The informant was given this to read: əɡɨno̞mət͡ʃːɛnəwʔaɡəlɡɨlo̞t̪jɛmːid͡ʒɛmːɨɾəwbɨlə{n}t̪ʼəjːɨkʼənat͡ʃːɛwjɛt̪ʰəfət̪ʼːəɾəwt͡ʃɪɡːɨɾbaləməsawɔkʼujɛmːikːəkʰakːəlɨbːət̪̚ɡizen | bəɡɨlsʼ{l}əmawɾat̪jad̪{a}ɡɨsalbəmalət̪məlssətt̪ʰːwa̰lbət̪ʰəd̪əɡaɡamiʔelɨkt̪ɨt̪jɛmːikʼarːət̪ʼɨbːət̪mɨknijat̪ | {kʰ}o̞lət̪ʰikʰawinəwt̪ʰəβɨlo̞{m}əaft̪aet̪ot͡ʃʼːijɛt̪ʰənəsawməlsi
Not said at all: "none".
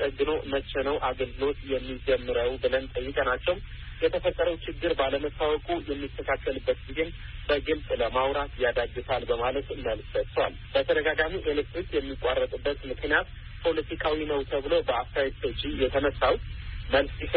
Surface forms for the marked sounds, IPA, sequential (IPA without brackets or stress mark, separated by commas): n, l, a, pʰ, b